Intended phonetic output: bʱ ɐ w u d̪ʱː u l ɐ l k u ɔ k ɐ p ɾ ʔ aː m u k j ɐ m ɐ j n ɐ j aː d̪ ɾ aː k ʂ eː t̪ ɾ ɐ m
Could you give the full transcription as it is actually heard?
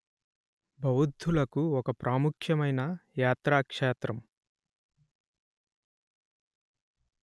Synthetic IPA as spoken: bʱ ɐ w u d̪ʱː u l ɐ k u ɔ k ɐ p ɾ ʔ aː m u kʰ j ɐ m ɐ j n ɐ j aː t̪ ɾ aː k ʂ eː t̪ ɾ ɐ m